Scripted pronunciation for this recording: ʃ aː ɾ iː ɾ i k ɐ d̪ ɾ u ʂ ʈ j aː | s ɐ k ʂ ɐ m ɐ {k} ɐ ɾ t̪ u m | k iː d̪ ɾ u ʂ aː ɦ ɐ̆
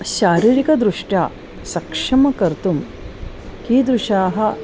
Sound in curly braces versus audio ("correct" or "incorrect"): correct